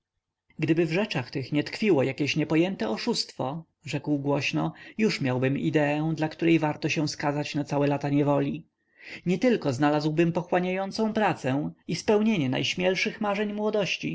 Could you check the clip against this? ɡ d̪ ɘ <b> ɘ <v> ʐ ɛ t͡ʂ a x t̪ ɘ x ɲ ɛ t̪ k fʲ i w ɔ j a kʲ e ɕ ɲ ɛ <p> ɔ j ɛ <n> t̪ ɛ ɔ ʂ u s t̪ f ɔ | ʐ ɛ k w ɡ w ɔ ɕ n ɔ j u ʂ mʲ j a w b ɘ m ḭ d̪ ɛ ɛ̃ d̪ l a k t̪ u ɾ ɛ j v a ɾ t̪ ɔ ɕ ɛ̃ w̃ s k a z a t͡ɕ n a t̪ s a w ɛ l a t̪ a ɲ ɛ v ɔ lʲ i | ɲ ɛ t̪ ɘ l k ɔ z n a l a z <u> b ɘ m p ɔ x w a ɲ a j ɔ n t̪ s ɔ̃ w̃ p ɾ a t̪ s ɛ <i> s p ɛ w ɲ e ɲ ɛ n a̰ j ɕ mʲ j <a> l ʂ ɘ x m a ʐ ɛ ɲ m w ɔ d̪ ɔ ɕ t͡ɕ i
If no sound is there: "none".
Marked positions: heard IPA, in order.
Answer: b, v, p, n, w, i, ɛ

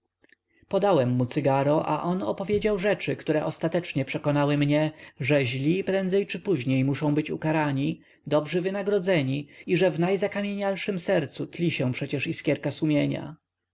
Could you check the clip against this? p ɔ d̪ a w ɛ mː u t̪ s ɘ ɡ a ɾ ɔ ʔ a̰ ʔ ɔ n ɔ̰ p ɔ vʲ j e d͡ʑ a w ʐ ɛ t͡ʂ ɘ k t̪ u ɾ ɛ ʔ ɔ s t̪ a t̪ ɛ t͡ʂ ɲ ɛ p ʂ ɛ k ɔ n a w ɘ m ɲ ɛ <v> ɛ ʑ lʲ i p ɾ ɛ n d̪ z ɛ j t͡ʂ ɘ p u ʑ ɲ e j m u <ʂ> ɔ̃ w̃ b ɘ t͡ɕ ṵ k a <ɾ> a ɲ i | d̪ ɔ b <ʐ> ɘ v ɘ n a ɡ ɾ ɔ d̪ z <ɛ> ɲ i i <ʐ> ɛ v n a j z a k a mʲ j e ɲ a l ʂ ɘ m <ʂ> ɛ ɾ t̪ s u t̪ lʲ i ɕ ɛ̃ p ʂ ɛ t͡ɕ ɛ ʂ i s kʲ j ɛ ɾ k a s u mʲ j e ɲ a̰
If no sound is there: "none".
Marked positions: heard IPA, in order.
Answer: ʐ, ʂ, ɾ, ʐ, ɛ, ʐ, s

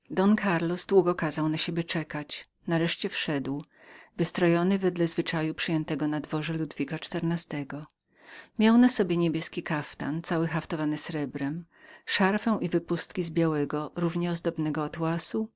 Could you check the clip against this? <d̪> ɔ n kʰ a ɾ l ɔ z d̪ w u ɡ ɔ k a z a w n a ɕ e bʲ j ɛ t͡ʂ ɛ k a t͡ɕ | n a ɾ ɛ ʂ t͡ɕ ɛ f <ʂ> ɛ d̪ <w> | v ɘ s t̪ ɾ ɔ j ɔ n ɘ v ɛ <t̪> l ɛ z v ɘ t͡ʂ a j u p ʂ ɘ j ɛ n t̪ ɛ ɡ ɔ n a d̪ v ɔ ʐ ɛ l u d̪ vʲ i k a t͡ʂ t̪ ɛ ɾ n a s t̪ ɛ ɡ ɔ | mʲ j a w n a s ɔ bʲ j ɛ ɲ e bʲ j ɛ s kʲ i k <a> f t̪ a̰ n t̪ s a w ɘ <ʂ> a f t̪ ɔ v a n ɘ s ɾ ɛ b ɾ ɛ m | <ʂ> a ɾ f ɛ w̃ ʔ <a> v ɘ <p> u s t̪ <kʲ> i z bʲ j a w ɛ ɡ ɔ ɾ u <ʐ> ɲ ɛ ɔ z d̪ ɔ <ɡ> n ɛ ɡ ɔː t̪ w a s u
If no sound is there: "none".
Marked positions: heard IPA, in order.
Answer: d̪, ʂ, w, d̪, a, x, ʂ, i, p, kʲ, v, b

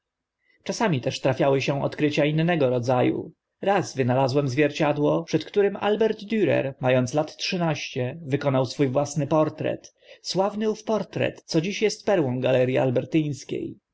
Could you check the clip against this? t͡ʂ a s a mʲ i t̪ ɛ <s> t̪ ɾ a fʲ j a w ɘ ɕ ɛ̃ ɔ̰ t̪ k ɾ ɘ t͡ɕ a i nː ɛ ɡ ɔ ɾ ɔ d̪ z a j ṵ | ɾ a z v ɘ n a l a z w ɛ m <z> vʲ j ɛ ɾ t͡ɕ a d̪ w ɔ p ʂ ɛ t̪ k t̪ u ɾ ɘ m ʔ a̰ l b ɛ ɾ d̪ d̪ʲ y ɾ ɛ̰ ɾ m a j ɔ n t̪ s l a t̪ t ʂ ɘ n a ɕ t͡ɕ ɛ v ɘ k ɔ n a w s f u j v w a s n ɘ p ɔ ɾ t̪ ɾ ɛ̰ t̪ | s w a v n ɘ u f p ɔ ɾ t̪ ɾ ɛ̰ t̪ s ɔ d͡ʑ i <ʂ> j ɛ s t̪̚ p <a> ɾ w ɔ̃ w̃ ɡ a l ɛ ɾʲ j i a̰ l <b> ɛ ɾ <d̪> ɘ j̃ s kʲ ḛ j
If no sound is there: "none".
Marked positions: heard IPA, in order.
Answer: ʂ, z, ɕ, ɛ, b, t̪

